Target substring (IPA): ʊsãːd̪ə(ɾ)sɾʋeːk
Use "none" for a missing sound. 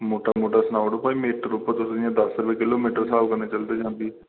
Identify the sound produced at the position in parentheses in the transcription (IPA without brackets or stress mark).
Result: none